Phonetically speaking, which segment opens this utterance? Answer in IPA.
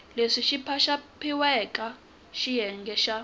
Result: l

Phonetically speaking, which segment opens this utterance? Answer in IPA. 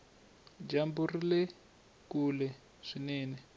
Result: d͡ʒ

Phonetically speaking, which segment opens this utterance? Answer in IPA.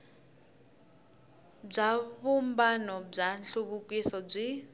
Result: b͡ʐ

